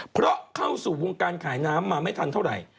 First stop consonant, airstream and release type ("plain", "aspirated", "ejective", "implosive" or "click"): aspirated